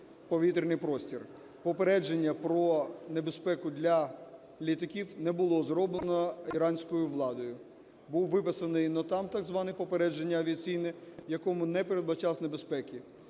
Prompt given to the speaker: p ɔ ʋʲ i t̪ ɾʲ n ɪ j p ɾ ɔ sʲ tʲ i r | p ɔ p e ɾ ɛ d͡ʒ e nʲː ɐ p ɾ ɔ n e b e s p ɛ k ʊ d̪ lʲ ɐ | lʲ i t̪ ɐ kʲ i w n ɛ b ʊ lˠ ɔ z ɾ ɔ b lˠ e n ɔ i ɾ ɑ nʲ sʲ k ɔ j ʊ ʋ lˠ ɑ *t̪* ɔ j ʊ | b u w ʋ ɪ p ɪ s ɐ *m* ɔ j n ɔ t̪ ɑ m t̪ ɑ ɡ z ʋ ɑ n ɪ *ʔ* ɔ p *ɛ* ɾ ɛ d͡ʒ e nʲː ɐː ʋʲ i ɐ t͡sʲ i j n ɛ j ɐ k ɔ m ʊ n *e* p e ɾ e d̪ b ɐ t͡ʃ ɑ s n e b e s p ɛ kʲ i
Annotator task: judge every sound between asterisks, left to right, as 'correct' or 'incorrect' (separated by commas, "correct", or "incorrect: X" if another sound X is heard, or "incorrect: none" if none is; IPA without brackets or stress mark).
incorrect: d̪, incorrect: n, incorrect: p, incorrect: e, incorrect: ɛ